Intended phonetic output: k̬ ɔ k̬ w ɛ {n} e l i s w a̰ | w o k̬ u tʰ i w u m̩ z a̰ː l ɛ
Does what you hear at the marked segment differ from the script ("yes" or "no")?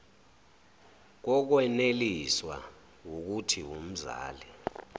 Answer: no